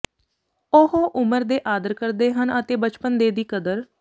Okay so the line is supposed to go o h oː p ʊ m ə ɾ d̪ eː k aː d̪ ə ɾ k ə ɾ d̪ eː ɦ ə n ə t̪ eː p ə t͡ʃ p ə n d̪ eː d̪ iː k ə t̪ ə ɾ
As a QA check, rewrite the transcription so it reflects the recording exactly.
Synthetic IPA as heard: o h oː ʔ ʊ m ə ɾ d̪ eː ʔ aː d̪ ə ɾ k ə ɾ d̪ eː ɦ ə n ə t̪ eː b ə t͡ʃ p ə n d̪ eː d̪ iː k ə d̪ ə ɾ